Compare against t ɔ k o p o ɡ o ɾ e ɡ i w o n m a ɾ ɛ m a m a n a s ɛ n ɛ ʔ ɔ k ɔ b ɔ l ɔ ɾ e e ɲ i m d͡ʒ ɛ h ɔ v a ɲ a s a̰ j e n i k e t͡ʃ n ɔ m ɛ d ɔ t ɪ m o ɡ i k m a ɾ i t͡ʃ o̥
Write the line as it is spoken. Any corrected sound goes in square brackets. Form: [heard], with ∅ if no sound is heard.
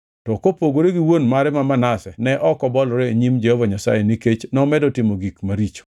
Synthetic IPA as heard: t ɔ k o p o ɡ o ɾ e ɡ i w o n m a ɾ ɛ m a m a n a s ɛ n ɛ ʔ ɔ k ɔ b ɔ l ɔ ɾ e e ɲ i m d͡ʒ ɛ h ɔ v a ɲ a s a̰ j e n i k e t͡ʃ n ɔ m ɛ d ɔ t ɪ m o ɡ i k m a ɾ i t͡ʃ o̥